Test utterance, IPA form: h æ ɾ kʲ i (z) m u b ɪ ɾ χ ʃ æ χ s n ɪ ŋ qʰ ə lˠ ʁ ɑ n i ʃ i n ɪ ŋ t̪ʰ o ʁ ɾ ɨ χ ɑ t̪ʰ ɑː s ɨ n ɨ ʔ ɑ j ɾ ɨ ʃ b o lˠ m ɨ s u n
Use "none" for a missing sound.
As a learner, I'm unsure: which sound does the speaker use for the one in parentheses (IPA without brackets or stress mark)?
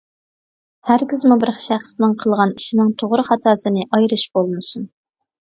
z